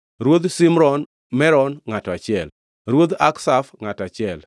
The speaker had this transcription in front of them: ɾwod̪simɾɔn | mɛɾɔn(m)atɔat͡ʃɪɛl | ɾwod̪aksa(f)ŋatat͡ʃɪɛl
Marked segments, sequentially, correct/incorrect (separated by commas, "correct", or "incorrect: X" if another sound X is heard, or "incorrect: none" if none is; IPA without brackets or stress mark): incorrect: ŋ, correct